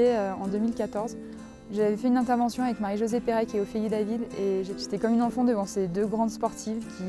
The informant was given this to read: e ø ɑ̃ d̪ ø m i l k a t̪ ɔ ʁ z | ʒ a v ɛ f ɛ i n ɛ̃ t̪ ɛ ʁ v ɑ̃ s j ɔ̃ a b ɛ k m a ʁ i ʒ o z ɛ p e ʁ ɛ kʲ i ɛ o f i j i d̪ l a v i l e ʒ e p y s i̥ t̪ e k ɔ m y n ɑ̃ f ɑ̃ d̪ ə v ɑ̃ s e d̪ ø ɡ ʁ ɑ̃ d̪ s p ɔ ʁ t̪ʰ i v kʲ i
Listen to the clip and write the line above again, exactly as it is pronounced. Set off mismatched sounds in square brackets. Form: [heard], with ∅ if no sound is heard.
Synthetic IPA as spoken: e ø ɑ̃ d̪ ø m i l k a t̪ ɔ ʁ z | ʒ a v ɛ f ɛ [y] n ɛ̃ t̪ ɛ ʁ v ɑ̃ s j ɔ̃ a [v] ɛ k m a ʁ i ʒ o z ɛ p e ʁ ɛ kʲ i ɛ o f i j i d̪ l a v i l e ʒ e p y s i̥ t̪ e k ɔ m y n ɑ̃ f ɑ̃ d̪ ə v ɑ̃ s e d̪ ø ɡ ʁ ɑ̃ d̪ s p ɔ ʁ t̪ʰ i v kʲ i